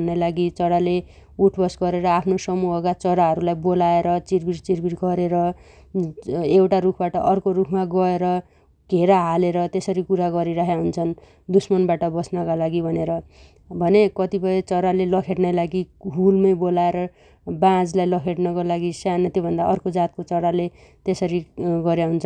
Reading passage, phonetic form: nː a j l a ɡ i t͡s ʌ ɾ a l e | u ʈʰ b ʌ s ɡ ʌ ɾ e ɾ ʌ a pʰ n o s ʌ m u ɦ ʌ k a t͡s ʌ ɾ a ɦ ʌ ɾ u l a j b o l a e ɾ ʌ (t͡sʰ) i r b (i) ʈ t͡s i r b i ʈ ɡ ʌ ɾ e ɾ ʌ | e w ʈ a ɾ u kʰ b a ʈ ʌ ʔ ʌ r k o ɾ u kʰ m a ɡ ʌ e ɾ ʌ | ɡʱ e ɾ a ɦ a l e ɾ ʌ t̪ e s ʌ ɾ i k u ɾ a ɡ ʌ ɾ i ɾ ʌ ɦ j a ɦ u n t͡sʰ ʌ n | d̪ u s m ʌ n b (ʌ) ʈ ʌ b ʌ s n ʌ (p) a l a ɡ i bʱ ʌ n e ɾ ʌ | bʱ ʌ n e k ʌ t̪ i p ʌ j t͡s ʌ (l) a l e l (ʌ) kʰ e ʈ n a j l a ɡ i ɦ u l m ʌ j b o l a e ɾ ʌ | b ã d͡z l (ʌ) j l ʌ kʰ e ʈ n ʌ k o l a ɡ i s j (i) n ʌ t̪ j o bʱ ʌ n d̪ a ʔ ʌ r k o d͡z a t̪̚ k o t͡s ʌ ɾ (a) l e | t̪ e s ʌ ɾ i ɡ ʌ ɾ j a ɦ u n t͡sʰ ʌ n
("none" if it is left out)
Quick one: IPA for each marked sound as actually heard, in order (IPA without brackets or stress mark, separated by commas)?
t͡s, i, a, k, ɾ, ʌ, a, a, a